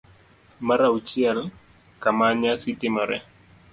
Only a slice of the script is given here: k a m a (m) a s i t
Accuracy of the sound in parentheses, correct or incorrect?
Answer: incorrect: ɲ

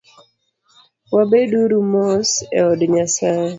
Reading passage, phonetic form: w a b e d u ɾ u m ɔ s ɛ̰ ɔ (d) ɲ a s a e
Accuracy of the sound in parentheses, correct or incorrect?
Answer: correct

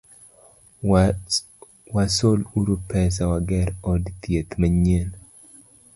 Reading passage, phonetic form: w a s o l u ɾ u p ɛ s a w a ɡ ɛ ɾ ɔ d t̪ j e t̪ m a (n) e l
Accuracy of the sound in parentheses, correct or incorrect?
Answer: incorrect: ɲ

